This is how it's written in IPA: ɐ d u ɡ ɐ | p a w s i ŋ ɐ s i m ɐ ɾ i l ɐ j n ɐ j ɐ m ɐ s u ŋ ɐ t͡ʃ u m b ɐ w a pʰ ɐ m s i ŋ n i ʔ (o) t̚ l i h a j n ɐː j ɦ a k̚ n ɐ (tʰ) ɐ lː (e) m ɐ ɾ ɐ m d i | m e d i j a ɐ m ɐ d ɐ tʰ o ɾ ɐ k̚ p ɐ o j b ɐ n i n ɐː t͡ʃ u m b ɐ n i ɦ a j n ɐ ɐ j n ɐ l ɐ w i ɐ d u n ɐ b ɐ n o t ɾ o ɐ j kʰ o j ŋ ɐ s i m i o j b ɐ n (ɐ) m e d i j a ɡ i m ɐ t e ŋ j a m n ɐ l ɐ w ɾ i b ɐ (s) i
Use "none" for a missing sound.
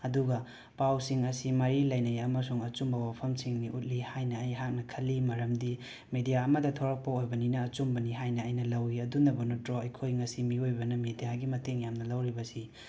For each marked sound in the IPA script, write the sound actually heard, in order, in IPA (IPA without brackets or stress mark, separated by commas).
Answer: u, kʰ, i, ɐ, s